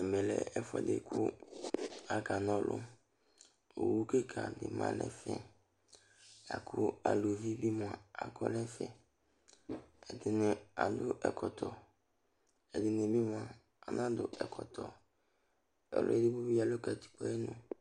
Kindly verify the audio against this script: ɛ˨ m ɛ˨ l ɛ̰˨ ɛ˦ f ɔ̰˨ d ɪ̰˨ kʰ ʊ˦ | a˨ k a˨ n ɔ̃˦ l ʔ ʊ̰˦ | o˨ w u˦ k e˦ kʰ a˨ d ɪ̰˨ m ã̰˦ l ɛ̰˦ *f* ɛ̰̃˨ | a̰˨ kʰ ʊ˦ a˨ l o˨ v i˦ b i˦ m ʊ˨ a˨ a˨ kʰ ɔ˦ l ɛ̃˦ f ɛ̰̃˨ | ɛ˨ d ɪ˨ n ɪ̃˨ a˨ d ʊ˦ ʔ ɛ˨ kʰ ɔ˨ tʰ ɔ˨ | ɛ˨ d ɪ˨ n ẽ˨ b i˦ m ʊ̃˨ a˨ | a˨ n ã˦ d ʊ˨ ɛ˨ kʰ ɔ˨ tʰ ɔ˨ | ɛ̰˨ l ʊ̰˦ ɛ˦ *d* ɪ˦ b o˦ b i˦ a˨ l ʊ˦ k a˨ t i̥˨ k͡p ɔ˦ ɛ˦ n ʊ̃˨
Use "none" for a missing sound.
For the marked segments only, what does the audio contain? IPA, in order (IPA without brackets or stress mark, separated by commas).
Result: f, d